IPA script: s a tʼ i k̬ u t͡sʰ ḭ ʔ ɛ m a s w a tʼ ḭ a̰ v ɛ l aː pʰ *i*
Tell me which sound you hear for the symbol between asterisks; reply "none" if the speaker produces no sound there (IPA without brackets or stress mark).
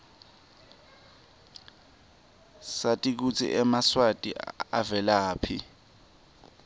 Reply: i